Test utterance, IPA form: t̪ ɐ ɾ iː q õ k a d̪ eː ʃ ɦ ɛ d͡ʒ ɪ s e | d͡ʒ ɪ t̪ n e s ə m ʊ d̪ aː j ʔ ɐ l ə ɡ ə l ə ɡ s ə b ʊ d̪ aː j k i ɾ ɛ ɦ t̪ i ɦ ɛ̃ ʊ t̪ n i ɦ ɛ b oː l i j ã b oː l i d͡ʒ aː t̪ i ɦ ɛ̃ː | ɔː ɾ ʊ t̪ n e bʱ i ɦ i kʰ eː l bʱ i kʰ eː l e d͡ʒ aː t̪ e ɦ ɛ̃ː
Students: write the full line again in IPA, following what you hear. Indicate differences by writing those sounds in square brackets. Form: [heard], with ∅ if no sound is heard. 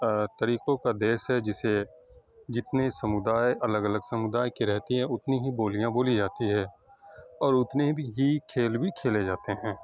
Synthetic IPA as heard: t̪ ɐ ɾ iː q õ k a d̪ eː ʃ ɦ ɛ d͡ʒ ɪ s e | d͡ʒ ɪ t̪ n e s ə m ʊ d̪ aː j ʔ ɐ l ə ɡ ə l ə ɡ s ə [m] ʊ d̪ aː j k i ɾ ɛ ɦ t̪ i ɦ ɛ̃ ʊ t̪ n i ɦ [i] b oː l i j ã b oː l i d͡ʒ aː t̪ i ɦ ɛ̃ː | ɔː ɾ ʊ t̪ n e bʱ i ɦ i kʰ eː l bʱ i kʰ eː l e d͡ʒ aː t̪ e ɦ ɛ̃ː